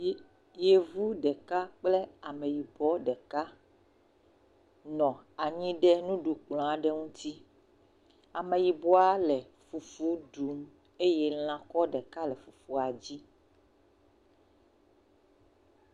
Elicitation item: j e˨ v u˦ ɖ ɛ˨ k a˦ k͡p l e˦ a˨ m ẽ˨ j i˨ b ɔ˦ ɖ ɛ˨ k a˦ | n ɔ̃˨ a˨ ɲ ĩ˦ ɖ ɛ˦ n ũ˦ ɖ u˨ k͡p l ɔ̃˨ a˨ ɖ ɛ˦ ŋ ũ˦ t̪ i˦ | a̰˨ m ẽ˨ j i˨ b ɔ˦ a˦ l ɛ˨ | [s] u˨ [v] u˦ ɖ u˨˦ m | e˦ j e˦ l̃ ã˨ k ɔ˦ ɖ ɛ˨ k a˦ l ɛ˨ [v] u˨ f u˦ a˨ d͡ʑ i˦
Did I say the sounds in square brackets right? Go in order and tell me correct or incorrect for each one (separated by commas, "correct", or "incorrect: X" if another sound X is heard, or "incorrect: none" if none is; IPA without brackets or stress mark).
incorrect: f, incorrect: f, incorrect: f